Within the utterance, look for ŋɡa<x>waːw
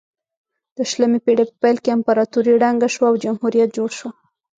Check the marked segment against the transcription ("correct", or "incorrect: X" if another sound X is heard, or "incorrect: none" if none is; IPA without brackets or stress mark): incorrect: ʃ